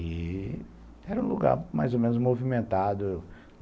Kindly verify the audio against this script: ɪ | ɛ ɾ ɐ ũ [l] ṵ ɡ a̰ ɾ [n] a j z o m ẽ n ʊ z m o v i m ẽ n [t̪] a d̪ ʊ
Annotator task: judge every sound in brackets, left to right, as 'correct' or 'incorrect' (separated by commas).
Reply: correct, incorrect, correct